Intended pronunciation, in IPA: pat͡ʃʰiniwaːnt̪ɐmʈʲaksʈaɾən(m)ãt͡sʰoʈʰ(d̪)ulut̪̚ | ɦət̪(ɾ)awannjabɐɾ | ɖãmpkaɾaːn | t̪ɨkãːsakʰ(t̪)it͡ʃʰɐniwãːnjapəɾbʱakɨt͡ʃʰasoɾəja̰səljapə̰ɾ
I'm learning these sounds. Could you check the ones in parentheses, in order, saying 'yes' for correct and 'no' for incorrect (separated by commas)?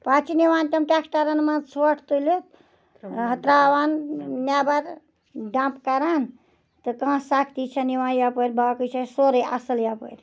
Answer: yes, no, yes, yes